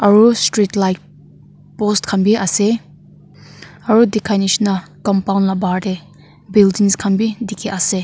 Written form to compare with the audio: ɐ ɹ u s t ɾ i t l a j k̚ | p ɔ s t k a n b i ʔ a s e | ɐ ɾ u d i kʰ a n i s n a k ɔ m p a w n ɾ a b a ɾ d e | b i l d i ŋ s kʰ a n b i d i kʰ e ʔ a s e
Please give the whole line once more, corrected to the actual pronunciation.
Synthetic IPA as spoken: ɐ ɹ u s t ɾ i t l a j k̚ | p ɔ s t kʰ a n b i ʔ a s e | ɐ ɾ u d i kʰ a n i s n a k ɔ m p a w n l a b a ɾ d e | b i l d i ŋ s kʰ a n b i d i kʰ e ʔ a s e

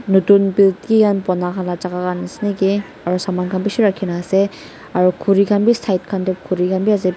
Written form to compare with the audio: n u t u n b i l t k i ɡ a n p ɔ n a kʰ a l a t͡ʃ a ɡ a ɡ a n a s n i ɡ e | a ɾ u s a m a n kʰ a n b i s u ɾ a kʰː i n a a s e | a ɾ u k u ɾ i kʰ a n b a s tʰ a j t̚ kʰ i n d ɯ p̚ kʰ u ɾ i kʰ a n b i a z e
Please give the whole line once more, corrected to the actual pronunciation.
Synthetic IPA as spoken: n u t u n b i l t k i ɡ a n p ɔ n a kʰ a l a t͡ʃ a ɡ a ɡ a n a s n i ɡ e | a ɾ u s a m a n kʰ a n b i s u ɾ a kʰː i n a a s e | a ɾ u kʰ u ɾ i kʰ a n b i s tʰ a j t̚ kʰ a n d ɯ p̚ kʰ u ɾ i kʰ a n b i a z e

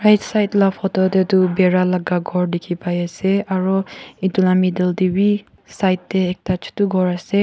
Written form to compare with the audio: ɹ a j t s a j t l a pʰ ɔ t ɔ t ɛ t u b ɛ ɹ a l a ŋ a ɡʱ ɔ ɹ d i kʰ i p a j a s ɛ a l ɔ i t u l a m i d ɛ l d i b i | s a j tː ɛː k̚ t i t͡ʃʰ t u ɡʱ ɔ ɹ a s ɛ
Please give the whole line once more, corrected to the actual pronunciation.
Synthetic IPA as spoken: ɹ a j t s a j t l a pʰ ɔ t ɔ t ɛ t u b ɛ ɹ a l a ɡ a ɡʱ ɔ ɹ d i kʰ i p a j a s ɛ a ɹ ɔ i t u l a m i d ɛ l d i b i | s a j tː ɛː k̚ t a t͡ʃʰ t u ɡʱ ɔ ɹ a s ɛ

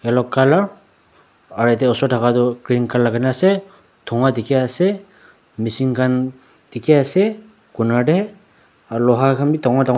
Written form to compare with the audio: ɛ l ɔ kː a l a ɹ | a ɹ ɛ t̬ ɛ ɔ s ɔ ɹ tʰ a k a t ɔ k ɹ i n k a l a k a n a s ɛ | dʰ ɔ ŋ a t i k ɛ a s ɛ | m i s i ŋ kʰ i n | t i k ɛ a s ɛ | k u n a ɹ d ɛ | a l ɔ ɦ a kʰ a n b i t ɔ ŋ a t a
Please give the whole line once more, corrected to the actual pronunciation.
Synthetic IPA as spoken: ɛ l ɔ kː a l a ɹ | a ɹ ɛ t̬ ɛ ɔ s ɔ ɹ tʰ a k a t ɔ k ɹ i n k a l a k a n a s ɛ | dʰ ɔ ŋ a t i k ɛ a s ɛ | m i s i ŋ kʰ a n | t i k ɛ a s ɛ | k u n a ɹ d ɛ | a l ɔ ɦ a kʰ a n b i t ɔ ŋ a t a

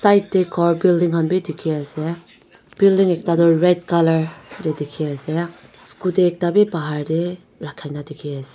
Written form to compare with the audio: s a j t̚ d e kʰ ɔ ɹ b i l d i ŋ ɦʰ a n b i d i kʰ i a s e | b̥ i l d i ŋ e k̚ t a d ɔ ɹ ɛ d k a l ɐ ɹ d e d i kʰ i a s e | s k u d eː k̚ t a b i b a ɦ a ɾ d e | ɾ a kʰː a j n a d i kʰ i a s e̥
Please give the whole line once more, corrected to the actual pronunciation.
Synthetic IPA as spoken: s a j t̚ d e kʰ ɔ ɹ b i l d i ŋ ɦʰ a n b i d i kʰ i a s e | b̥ i l d i ŋ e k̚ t a d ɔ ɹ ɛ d k a l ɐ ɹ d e d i kʰ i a s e | s k u d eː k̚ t a b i b a ɦ a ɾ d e | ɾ a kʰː a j n a d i kʰ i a s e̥

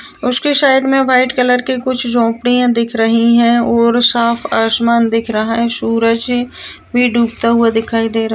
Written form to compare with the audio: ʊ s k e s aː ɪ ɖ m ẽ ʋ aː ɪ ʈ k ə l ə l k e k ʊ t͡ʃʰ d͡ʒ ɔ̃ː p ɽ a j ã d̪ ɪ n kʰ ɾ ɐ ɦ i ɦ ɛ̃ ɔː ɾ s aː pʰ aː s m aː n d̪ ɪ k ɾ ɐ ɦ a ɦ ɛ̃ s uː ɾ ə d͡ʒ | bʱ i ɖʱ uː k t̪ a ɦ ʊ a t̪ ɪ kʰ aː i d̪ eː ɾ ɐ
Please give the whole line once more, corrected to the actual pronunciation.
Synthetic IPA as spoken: ʊ s k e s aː ɪ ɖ m ẽ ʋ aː ɪ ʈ k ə l ə ɾ k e k ʊ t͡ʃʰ d͡ʒ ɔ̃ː p ɽ i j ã d̪ ɪ kʰ ɾ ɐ ɦ i ɦ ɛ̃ ɔː ɾ s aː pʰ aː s m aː n d̪ ɪ kʰ ɾ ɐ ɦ a ɦ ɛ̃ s uː ɾ ə d͡ʒ | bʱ i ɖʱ uː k t̪ a ɦ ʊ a d̪ ɪ kʰ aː i d̪ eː ɾ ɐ

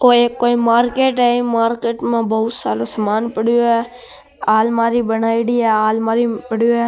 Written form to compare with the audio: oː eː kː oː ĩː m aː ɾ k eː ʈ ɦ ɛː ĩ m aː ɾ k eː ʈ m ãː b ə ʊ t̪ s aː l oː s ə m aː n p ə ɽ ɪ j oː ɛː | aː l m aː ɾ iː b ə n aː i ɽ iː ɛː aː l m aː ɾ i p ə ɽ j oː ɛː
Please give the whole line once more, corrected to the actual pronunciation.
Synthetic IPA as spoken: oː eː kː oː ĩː m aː ɾ k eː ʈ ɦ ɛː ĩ m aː ɾ k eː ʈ m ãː b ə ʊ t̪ s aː l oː s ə m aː n p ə ɽ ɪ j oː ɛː | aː l m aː ɾ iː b ə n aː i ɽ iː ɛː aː l m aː ɾ i p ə ɽ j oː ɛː

